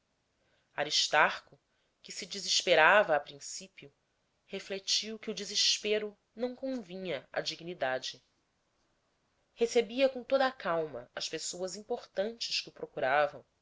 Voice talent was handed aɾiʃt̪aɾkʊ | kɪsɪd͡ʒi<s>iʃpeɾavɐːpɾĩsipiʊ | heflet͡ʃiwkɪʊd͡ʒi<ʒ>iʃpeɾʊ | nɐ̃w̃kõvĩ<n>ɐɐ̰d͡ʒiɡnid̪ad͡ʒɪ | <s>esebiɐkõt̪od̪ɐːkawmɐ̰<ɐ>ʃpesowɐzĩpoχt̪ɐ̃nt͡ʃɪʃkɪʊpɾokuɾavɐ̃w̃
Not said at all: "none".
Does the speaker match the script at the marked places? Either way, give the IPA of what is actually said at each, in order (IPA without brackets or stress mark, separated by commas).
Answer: z, z, ɲ, h, ɐ